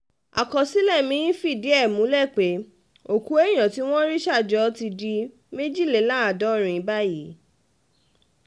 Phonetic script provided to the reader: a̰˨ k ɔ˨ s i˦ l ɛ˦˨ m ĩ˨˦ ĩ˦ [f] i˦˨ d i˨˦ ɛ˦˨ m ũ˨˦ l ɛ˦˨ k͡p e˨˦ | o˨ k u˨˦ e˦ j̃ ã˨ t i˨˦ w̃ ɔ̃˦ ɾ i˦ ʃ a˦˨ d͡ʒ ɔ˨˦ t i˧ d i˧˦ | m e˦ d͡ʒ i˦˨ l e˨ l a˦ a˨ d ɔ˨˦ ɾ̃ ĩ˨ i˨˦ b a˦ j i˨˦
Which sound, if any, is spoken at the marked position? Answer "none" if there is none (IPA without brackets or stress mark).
f